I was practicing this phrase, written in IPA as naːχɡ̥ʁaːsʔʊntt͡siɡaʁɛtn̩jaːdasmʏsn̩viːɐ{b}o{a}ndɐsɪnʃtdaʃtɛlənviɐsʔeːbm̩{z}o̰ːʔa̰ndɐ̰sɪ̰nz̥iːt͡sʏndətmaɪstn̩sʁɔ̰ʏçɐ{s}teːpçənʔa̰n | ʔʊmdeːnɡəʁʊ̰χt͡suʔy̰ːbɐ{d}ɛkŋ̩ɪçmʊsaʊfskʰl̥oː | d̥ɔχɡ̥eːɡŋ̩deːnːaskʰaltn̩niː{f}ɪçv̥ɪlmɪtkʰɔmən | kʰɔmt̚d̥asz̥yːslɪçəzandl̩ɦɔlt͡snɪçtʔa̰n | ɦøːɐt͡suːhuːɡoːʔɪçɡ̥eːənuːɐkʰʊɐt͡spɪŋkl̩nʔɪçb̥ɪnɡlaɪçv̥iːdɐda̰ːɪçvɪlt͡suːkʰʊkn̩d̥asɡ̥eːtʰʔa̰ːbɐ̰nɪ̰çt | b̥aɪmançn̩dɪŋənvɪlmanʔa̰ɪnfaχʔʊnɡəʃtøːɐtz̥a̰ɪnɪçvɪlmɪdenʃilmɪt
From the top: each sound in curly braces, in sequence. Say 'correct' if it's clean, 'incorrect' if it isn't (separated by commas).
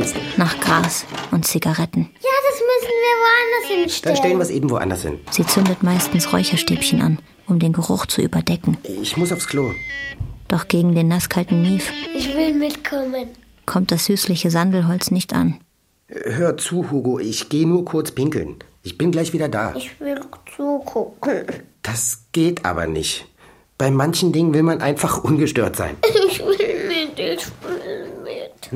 incorrect, correct, incorrect, incorrect, correct, correct